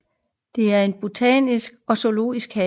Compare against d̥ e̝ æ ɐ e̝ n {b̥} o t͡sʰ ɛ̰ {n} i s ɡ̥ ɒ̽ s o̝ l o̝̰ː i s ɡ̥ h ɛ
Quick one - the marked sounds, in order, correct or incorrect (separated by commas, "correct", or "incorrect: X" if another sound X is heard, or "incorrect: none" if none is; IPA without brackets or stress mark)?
correct, correct